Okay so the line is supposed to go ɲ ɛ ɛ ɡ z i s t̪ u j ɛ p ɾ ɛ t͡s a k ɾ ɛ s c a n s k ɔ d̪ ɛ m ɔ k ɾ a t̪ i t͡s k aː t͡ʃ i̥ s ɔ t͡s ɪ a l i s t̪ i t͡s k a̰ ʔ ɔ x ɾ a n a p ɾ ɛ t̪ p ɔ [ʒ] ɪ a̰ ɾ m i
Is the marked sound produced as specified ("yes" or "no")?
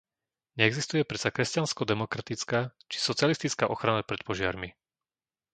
yes